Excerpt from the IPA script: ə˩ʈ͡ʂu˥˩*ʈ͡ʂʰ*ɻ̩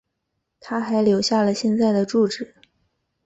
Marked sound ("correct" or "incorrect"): incorrect